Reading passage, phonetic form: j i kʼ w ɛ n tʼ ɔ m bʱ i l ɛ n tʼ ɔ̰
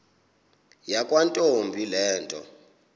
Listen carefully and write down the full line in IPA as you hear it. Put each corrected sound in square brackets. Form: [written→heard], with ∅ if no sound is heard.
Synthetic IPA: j [i→a] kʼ w [ɛ→a] n tʼ [ɔ→o] m bʱ i l [ɛ→ɛː] n tʼ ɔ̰